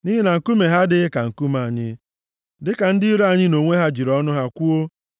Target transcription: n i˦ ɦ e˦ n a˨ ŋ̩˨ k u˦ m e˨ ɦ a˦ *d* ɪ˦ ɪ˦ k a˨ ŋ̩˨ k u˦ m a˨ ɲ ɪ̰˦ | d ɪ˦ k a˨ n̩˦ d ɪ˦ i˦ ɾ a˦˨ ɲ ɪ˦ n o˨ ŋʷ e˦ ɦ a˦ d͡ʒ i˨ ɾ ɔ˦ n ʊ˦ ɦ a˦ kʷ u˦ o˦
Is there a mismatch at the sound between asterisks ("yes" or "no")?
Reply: no